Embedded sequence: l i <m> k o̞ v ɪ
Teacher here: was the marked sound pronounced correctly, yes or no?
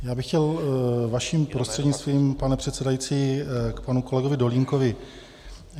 no